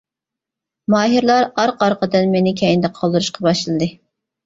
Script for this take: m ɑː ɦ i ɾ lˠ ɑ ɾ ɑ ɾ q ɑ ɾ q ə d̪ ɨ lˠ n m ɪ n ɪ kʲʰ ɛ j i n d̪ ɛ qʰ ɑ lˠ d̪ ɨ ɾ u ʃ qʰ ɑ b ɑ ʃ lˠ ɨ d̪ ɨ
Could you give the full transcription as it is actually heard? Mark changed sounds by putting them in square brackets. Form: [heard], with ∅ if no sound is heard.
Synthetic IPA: m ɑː ɦ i ɾ lˠ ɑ ɾ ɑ ɾ q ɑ ɾ q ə d̪ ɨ [∅] n m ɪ n ɪ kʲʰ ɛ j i n d̪ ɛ qʰ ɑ lˠ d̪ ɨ ɾ u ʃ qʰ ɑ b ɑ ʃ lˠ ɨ d̪ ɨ